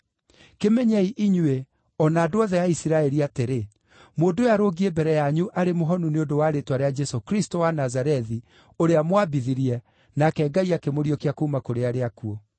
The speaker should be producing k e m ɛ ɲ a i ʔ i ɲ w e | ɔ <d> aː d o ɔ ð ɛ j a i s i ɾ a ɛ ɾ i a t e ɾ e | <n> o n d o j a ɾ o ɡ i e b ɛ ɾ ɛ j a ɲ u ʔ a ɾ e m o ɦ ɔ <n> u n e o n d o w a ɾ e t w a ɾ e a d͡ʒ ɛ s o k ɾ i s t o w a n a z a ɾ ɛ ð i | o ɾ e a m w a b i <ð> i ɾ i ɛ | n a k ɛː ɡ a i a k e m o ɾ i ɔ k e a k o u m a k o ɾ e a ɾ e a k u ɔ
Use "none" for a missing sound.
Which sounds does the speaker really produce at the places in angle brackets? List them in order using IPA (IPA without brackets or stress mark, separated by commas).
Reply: n, m, n, ð